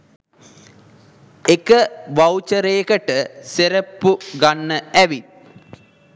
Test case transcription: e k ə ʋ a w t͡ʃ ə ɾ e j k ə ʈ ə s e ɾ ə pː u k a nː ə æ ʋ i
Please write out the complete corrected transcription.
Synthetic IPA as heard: e k ə ʋ a w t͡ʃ ə ɾ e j k ə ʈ ə s e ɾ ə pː u ɡ a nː ə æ ʋ i